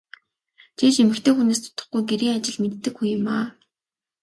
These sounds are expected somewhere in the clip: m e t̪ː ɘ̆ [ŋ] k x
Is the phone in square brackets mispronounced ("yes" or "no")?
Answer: yes